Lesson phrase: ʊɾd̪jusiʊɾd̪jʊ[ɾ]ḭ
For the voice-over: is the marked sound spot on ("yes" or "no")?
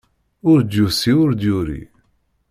yes